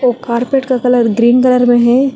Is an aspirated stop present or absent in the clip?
absent